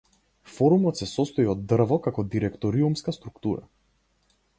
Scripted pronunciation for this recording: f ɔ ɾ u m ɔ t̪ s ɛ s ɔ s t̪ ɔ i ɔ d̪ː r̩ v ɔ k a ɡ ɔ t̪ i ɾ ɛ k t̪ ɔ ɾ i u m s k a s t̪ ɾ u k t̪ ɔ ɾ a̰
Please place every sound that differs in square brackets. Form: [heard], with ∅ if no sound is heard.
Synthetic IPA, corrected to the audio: f ɔ ɾ u m ɔ t̪ s ɛ s ɔ s t̪ ɔ i ɔ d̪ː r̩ v ɔ k a [k] ɔ [d̪] i ɾ ɛ k t̪ ɔ ɾ i u m s k a s t̪ ɾ u k t̪ [u] ɾ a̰